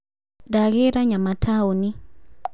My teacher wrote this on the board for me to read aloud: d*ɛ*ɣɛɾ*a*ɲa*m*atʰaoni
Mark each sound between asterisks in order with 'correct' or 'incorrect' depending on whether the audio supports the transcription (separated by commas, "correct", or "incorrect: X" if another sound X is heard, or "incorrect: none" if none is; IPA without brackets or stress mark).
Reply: incorrect: a, correct, correct